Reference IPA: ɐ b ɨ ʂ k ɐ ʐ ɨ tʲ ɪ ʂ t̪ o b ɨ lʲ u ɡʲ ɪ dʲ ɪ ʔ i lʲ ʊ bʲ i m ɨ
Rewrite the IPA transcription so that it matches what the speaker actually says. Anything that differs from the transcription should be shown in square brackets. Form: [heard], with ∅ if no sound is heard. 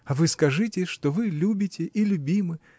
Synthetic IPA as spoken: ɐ [v] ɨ [s] k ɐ ʐ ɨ tʲ ɪ ʂ t̪ o [v] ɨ lʲ u [bʲ] ɪ [tʲ] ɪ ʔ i lʲ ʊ bʲ i m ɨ